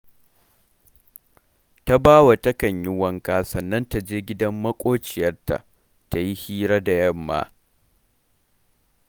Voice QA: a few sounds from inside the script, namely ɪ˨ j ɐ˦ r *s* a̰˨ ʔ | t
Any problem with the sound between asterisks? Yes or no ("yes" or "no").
yes